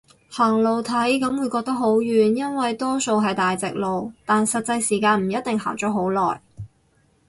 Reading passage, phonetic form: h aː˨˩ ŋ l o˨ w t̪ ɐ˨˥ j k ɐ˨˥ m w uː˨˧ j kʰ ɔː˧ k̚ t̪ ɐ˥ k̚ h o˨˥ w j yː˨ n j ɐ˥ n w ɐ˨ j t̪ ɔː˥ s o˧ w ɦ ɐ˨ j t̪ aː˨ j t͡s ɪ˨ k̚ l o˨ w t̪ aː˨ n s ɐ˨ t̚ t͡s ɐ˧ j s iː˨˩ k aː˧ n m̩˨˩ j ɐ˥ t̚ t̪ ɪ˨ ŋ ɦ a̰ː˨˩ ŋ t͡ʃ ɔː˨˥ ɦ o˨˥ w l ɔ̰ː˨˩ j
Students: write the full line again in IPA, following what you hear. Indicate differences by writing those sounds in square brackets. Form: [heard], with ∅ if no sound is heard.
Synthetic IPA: h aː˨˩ ŋ l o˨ w [t̪ʰ] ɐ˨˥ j k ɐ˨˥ m w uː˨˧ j [k] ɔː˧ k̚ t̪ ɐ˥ k̚ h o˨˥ w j yː˨ n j ɐ˥ n w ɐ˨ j t̪ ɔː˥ s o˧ w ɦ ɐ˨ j t̪ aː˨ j t͡s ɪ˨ k̚ l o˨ w t̪ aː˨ n s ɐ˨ t̚ t͡s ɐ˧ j s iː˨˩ k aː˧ n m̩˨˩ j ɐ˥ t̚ t̪ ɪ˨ ŋ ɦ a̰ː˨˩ ŋ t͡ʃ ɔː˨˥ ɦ o˨˥ w l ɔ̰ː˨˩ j

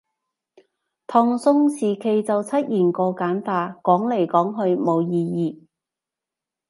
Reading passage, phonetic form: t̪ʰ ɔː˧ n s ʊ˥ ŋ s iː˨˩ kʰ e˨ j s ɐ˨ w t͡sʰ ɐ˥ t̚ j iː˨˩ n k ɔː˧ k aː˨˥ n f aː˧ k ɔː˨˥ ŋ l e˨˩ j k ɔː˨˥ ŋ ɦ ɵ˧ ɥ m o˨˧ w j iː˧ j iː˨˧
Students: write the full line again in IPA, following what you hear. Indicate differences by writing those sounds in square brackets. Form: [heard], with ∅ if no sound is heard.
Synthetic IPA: t̪ʰ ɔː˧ [ŋ] s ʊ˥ ŋ s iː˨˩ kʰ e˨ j [t͡s] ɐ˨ w t͡sʰ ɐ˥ t̚ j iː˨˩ n k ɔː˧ k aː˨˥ n f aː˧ k ɔː˨˥ ŋ l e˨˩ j k ɔː˨˥ ŋ ɦ ɵ˧ ɥ m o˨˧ w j iː˧ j iː˨˧

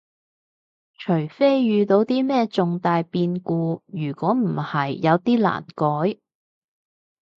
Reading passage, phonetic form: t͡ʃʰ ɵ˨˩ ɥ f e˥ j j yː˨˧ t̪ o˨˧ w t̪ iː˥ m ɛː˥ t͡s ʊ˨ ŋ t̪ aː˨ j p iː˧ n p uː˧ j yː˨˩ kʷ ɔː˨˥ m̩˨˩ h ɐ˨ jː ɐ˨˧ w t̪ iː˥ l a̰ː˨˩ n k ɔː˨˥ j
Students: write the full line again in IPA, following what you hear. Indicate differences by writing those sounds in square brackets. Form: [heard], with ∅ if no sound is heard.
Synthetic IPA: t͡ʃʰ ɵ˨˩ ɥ f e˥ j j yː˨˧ t̪ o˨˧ w t̪ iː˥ m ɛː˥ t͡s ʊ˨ ŋ t̪ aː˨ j p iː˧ n [k] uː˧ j yː˨˩ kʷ ɔː˨˥ m̩˨˩ h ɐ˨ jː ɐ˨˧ w t̪ iː˥ l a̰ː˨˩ n k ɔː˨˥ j

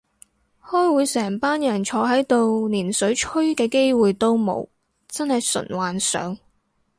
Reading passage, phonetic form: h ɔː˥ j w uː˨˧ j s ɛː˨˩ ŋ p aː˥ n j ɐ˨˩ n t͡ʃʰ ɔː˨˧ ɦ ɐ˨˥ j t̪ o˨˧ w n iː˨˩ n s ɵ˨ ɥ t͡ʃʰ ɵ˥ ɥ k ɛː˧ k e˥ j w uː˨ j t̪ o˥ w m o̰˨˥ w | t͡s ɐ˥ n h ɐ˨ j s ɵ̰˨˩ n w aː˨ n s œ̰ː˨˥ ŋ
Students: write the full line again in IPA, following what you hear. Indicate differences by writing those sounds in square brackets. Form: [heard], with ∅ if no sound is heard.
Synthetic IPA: h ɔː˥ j w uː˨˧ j s ɛː˨˩ ŋ p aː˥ n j ɐ˨˩ n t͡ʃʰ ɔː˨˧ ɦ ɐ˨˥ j t̪ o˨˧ w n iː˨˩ n s [ɵ˨˥] ɥ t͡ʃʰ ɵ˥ ɥ k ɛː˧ k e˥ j w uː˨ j t̪ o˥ w m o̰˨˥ w | t͡s ɐ˥ n h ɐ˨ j s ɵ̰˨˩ n w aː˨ n s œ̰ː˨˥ ŋ

